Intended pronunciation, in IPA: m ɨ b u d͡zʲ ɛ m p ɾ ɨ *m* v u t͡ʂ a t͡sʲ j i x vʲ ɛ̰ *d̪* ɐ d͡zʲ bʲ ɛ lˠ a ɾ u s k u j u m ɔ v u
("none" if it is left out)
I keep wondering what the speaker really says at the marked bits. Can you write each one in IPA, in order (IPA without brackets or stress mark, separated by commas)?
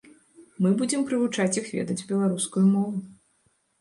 none, d̪